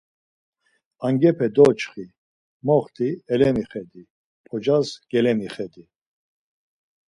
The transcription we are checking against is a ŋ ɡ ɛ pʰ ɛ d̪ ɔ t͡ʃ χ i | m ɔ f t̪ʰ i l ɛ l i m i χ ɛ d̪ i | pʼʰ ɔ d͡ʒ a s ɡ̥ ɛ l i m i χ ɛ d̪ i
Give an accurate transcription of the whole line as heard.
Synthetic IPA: a ŋ ɡ ɛ pʰ ɛ d̪ ɔ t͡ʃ χ i | m ɔ χ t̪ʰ i ɛ l ɛ m i χ ɛ d̪ i | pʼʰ ɔ d͡ʒ a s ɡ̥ ɛ l ɛ m i χ ɛ d̪ i